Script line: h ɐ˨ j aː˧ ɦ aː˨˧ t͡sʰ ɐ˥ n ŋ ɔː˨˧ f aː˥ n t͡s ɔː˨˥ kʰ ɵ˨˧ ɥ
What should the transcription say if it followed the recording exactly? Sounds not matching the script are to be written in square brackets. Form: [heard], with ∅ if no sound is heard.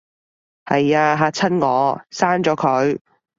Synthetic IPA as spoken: h ɐ˨ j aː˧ ɦ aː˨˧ t͡sʰ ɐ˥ n ŋ ɔː˨˧ [s] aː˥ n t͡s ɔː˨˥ kʰ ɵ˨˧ ɥ